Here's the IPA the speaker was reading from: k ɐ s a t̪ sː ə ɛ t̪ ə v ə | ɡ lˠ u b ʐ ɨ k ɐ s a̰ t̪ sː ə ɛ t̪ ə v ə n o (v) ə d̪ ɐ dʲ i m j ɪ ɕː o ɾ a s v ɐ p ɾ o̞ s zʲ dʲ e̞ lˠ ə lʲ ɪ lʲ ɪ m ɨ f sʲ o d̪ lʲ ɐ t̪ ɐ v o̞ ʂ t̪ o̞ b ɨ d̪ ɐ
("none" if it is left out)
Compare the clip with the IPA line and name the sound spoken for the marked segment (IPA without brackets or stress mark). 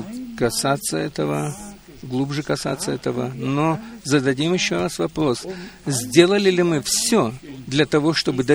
z